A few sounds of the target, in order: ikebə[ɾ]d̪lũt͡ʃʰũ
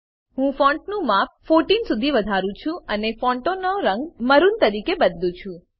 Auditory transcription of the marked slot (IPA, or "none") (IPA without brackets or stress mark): none